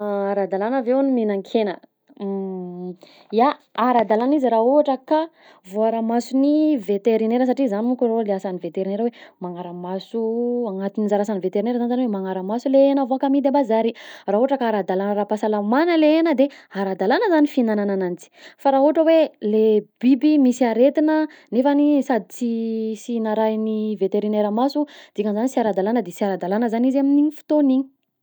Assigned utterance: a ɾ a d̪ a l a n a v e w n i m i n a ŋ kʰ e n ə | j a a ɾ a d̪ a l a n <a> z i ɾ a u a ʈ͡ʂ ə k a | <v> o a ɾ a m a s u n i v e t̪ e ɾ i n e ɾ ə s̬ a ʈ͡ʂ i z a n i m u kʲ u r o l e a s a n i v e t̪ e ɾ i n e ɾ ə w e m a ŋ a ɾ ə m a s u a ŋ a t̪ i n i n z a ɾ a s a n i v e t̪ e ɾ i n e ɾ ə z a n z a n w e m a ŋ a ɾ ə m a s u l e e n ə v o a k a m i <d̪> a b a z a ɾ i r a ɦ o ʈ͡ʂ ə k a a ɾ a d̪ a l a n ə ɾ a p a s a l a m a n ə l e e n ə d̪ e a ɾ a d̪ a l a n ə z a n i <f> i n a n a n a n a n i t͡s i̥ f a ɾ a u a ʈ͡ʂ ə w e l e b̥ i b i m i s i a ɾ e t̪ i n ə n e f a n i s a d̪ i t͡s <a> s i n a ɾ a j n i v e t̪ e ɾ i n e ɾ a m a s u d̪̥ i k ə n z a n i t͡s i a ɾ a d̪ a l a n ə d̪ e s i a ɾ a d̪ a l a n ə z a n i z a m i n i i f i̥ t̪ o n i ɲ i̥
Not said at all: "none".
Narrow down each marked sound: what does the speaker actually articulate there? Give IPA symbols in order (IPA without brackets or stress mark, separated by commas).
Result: i, v, d̪, f, i